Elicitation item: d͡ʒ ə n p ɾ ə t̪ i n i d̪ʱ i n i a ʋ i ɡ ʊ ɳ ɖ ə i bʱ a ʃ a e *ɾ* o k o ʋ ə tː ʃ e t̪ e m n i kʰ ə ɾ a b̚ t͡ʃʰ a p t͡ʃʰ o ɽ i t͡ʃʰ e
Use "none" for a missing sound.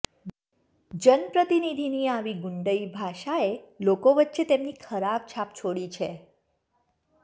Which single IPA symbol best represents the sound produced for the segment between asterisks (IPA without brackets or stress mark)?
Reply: l